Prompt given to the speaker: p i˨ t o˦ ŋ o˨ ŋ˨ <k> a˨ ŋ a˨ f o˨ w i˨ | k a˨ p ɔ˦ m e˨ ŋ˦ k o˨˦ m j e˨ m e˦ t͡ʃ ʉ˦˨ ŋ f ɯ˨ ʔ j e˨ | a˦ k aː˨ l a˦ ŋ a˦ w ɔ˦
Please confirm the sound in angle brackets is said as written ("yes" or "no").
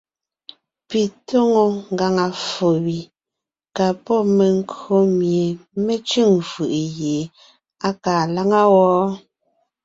no